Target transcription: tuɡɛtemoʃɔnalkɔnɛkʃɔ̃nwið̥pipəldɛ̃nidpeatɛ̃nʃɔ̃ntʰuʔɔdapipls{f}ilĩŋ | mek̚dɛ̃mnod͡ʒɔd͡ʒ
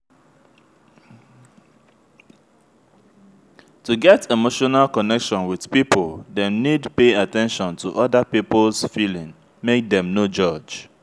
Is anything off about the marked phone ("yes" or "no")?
no